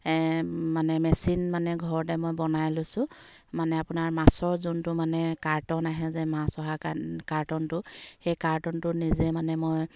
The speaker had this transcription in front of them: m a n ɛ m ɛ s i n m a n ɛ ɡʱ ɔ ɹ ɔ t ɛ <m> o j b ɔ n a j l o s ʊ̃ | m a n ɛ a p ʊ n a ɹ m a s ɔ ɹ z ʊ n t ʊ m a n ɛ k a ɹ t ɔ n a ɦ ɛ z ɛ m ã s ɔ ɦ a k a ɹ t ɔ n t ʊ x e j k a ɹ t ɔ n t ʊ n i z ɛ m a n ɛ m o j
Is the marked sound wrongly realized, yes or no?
no